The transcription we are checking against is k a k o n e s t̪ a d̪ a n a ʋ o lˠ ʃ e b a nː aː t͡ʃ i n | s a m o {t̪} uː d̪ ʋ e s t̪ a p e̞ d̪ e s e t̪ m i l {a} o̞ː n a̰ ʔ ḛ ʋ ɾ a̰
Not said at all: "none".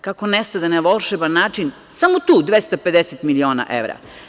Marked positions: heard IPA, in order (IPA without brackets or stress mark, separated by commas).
t̪, i